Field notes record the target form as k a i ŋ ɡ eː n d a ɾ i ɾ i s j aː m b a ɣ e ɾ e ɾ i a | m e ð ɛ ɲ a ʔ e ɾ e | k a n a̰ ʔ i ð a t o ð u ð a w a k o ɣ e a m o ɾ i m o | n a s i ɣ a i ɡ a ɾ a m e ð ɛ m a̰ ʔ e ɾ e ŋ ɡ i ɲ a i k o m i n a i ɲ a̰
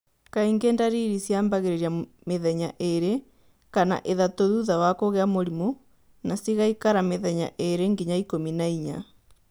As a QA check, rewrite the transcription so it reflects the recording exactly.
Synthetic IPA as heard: k a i ŋ ɡ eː n d a ɾ i ɾ i s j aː m b a ɣ e ɾ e ɾ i a | m e ð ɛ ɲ a ʔ e ɾ e | k a n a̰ ʔ e ð a t o ð u ð a w a k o ɣ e a m o ɾ i m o | n a s i ɣ a i k a ɾ a m e ð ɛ ɲ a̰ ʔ e ɾ e ŋ ɡ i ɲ a i k o m i n a i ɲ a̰